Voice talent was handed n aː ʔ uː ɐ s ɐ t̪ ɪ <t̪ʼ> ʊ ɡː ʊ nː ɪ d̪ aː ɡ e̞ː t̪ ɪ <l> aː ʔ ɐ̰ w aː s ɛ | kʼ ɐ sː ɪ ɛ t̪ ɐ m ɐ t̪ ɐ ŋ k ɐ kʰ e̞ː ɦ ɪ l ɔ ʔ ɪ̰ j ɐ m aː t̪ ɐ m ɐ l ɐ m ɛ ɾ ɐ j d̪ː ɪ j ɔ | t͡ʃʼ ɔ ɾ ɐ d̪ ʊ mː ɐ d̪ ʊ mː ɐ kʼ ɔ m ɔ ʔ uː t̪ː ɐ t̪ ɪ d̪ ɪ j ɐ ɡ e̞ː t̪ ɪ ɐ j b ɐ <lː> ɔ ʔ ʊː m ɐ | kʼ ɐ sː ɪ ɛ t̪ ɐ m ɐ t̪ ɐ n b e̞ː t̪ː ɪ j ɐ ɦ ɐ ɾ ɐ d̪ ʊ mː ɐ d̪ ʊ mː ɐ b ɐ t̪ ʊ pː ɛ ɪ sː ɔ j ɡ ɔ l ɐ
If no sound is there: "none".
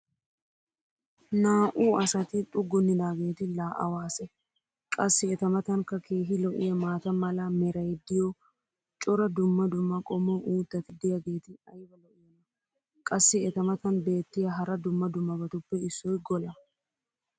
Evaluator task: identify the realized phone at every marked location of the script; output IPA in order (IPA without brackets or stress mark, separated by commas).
t̪ʼ, l, l